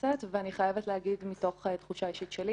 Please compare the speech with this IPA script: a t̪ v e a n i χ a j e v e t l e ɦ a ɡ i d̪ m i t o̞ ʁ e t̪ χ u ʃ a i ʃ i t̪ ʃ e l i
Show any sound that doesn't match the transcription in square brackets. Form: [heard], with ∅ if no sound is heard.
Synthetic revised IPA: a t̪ v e a n i χ a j e v e t l e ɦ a ɡ i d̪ m i t o̞ [χ] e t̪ χ u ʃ a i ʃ i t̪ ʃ e l i